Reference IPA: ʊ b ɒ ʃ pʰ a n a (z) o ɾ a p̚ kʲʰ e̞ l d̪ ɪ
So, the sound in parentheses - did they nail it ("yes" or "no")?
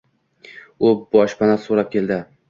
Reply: no